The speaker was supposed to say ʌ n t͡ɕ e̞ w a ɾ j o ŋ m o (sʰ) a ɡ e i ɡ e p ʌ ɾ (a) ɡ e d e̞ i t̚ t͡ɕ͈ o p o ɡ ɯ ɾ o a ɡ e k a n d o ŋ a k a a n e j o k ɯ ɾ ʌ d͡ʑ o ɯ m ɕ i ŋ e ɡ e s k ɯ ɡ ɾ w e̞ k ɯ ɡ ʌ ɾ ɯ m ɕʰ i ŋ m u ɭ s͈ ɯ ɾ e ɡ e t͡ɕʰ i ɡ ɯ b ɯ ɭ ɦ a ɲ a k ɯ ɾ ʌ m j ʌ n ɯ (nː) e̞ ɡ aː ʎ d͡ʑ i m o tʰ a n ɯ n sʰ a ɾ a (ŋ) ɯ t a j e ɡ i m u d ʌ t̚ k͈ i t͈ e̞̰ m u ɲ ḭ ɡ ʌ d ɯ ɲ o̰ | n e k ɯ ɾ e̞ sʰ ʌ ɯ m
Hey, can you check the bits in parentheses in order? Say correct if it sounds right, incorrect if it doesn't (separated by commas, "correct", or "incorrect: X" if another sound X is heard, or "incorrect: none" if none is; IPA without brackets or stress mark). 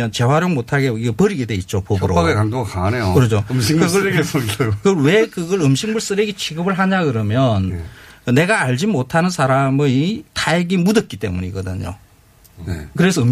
incorrect: tʰ, incorrect: i, incorrect: n, incorrect: m